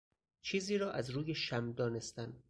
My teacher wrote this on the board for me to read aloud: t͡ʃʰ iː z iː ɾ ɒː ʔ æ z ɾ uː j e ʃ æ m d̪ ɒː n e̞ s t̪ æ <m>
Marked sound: incorrect: n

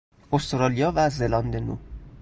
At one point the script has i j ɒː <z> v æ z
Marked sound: incorrect: none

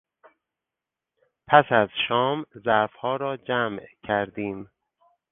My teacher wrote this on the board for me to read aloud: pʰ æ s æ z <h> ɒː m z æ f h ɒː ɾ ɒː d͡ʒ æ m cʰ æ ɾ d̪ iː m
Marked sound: incorrect: ʃ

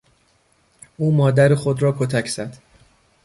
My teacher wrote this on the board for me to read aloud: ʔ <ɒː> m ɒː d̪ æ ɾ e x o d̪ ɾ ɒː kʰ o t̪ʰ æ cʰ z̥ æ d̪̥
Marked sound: incorrect: uː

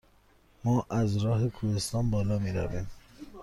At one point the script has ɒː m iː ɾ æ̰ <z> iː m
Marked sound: incorrect: v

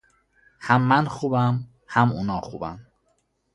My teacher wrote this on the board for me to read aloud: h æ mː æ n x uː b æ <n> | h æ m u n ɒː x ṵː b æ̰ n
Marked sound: incorrect: m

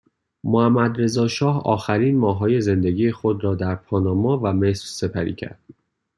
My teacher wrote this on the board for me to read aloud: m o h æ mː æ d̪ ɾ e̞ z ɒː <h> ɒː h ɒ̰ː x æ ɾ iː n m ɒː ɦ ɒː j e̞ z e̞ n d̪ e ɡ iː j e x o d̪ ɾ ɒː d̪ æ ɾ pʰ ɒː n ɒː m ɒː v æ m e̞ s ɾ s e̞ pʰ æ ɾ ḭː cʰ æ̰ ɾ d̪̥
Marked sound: incorrect: ʃ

